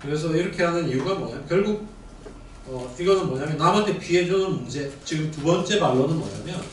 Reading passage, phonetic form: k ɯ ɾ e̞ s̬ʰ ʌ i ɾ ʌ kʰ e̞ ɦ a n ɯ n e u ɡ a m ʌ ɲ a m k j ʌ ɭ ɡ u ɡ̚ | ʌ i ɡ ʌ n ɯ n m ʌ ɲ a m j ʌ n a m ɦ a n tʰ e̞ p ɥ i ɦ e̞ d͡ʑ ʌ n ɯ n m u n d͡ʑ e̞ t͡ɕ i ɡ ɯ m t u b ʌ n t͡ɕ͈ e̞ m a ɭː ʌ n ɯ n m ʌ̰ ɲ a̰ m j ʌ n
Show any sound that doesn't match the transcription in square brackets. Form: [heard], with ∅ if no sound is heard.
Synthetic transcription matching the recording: k ɯ ɾ e̞ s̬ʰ ʌ i ɾ ʌ kʰ e̞ ɦ a n ɯ n [i] u ɡ a m ʌ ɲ a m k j ʌ ɭ ɡ u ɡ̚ | ʌ i ɡ ʌ n ɯ n m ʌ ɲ a m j ʌ n a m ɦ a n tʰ e̞ p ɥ i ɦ e̞ d͡ʑ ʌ n ɯ n m u n d͡ʑ e̞ t͡ɕ i ɡ ɯ m t u b ʌ n t͡ɕ͈ e̞ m a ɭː ʌ n ɯ n m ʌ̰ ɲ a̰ m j ʌ n